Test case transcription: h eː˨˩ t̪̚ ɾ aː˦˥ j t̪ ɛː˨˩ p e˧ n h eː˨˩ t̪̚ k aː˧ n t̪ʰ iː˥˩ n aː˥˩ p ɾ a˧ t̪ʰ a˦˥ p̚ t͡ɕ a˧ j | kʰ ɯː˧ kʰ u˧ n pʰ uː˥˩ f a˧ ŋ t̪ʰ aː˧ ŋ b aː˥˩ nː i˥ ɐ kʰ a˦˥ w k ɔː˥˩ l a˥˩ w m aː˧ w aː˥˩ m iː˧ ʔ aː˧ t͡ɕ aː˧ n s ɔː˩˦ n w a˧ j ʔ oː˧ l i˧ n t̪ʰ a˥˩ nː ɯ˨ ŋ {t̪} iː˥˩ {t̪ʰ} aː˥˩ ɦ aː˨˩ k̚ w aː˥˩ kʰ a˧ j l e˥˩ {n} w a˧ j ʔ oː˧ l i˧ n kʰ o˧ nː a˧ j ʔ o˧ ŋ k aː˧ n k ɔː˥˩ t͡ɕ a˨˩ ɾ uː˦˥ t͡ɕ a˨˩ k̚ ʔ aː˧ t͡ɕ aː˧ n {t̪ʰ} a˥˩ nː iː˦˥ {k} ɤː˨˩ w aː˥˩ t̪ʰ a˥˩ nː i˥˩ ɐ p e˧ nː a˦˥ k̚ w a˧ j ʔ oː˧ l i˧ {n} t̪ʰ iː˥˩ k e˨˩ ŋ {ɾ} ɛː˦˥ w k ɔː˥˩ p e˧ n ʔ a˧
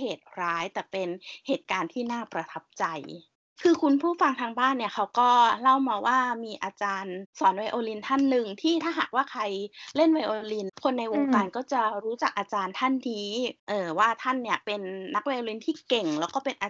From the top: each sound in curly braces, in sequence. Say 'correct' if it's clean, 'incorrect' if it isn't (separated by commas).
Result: incorrect, correct, correct, correct, incorrect, correct, incorrect